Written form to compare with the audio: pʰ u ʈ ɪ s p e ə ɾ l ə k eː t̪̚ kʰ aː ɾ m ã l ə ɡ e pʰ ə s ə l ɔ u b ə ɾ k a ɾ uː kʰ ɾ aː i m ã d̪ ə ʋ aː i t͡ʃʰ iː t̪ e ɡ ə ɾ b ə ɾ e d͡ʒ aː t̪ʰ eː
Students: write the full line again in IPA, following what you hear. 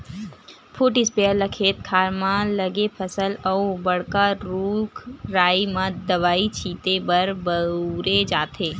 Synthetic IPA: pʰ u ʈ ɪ s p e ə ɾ l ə kʰ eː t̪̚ kʰ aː ɾ m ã l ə ɡ e pʰ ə s ə l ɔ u b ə ɽ k a ɾ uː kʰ ɾ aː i m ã d̪ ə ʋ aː i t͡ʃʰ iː t̪ e b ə ɾ b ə ɾ e d͡ʒ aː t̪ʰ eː